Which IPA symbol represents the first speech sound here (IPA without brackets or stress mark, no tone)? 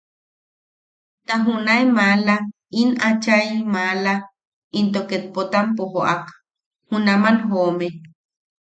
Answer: t̪